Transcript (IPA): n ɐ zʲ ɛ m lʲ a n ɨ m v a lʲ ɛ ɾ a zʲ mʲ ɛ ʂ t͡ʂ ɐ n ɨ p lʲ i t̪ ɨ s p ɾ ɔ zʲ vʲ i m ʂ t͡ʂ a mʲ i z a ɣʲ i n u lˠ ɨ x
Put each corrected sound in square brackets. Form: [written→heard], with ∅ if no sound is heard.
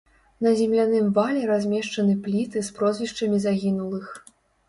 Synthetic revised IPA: n ɐ zʲ ɛ m lʲ a n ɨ m v a lʲ ɛ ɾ a zʲ mʲ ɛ ʂ t͡ʂ ɐ n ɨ p lʲ i t̪ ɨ s p ɾ ɔ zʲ vʲ i [m→∅] ʂ t͡ʂ [a→ɐ] mʲ i z a ɣʲ i n u lˠ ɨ x